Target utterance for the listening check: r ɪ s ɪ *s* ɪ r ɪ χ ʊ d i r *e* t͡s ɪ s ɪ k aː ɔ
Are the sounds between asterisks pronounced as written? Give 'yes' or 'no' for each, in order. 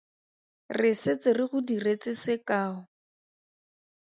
no, yes

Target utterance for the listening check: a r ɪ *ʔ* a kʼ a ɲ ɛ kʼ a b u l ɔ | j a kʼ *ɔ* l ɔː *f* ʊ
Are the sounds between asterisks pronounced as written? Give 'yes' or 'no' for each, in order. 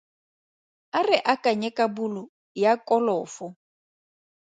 yes, yes, yes

